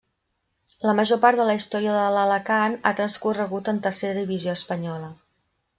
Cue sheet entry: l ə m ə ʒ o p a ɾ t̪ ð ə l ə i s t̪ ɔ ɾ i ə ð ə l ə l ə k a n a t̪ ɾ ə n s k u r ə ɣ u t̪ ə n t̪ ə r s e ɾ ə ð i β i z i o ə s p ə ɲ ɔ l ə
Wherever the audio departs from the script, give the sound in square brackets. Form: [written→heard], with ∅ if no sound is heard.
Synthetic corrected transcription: l ə m ə ʒ o p a ɾ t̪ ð ə l ə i s t̪ ɔ ɾ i ə ð ə l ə l ə k a n a t̪ ɾ ə n s k u r ə ɣ u t̪ ə n t̪ ə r s e ɾ ə ð i β i z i o ə s p ə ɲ ɔ l ə

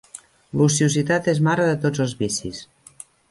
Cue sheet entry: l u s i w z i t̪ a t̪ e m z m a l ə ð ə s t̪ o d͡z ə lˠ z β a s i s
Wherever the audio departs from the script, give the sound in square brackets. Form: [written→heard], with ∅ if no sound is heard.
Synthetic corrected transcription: l u s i [w→u] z i t̪ a t̪ e [m→∅] z m a [l→ɾ] ə ð ə [s→∅] t̪ o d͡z ə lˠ z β [a→i] s i s

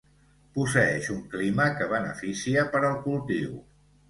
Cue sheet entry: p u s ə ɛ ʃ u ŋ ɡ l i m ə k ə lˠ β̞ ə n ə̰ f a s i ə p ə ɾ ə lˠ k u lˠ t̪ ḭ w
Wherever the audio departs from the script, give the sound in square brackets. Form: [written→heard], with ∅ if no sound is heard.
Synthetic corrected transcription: p u s ə ɛ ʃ u ŋ [ɡ→k] l i m ə k ə [lˠ→∅] β̞ ə n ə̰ f [a→i] s i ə p ə ɾ ə lˠ k u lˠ t̪ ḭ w

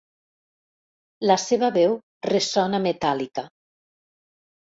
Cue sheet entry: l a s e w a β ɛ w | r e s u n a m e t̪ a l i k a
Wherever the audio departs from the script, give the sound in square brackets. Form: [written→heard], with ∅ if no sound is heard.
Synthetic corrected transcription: l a s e [w→β] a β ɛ w | r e s [u→ɔ] n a m e t̪ a l i k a

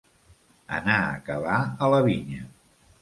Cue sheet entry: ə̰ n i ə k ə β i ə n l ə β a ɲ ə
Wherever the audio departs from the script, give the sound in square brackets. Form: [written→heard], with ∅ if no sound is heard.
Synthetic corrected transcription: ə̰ n [i→a] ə k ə β [i→a] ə [n→∅] l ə β [a→i] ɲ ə

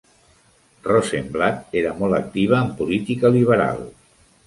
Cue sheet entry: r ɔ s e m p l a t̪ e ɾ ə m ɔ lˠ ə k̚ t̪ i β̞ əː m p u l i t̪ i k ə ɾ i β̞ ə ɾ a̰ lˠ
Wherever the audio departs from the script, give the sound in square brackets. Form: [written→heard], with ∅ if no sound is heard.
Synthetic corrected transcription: r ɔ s e m [p→b] l a t̪ e ɾ ə m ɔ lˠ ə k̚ t̪ i β̞ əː m p u l i t̪ i k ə [ɾ→l] i β̞ ə ɾ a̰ lˠ

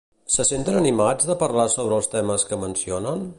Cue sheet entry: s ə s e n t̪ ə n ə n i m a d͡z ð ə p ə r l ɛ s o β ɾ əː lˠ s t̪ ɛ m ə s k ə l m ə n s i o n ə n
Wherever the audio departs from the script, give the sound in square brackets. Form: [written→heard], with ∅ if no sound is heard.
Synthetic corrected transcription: s ə s e n t̪ ə n ə n i m a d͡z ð ə p ə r l [ɛ→a] s o β ɾ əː lˠ s t̪ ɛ m ə s k ə [l→∅] m ə n s i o n ə n

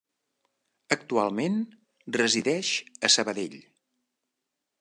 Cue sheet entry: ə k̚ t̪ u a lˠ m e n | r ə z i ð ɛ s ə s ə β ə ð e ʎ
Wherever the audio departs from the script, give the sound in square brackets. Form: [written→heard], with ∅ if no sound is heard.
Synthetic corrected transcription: ə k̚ t̪ u a lˠ m e n | r ə z i ð ɛ [s→ʃ] ə s ə β ə ð e ʎ

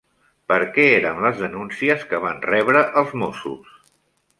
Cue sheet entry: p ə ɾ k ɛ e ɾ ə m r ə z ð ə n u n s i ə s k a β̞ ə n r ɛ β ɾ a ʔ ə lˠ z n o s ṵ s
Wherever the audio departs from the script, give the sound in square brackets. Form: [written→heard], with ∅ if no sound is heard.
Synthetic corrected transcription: p ə ɾ k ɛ e ɾ ə m [r→l] ə z ð ə n u n s i ə s k [a→ə] β̞ [ə→a] n r ɛ β ɾ [a→ə] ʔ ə lˠ z [n→m] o s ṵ s

